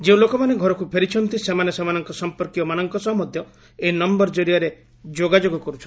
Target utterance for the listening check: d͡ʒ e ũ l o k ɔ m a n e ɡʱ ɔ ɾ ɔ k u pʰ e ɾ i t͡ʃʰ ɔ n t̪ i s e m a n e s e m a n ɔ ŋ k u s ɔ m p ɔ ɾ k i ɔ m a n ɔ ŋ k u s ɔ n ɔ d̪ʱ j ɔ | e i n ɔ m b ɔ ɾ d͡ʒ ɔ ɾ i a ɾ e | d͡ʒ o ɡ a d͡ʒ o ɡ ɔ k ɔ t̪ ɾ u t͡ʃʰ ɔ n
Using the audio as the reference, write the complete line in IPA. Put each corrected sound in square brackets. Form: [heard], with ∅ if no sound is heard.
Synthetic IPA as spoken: d͡ʒ e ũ l o k ɔ m a n e ɡʱ ɔ ɾ ɔ k u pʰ e ɾ i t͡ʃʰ ɔ n t̪ i s e m a n e s e m a n ɔ ŋ k [ɔ] s ɔ m p ɔ ɾ k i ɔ m a n ɔ ŋ k [ɔ] s ɔ [m] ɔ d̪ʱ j ɔ | e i n ɔ m b ɔ ɾ d͡ʒ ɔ ɾ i a ɾ e | d͡ʒ o ɡ a d͡ʒ o ɡ ɔ k ɔ [∅] ɾ u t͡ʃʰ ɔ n